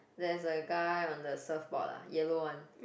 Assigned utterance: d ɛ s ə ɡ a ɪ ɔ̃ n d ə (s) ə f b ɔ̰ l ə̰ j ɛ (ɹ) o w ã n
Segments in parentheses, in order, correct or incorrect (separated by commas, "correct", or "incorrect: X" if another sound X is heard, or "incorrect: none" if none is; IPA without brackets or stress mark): correct, incorrect: l